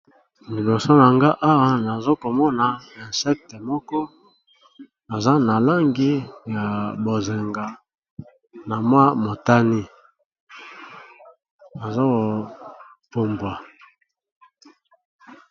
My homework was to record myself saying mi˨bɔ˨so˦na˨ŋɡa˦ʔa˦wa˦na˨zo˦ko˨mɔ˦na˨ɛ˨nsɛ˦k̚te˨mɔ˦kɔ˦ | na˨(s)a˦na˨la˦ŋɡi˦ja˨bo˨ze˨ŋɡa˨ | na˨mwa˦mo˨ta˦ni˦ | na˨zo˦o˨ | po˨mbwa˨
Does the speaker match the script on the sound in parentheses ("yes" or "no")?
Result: no